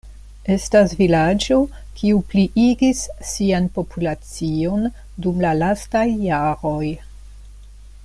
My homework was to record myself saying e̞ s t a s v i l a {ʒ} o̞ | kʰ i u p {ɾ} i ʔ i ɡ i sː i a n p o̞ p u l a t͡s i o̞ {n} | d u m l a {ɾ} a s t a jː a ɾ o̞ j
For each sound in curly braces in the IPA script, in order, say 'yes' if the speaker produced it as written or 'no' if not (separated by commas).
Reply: no, no, yes, no